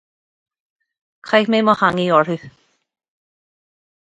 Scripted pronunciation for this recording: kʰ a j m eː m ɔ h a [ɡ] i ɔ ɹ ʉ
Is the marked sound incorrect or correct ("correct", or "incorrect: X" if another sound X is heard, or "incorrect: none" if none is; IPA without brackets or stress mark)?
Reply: incorrect: ŋ